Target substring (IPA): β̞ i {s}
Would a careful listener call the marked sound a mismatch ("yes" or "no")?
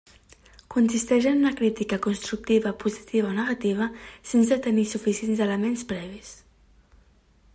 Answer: no